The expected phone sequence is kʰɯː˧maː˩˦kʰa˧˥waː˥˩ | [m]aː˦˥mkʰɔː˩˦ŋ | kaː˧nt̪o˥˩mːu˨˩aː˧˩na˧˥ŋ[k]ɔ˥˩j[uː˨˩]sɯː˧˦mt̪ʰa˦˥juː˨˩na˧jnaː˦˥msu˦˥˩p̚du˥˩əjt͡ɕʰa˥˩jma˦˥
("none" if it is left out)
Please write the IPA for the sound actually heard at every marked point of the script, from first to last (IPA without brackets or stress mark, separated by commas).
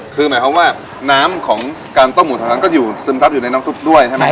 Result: n, k, uː˨˩